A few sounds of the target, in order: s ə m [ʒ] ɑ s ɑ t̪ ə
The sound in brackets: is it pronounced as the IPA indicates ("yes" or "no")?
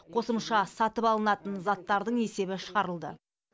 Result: no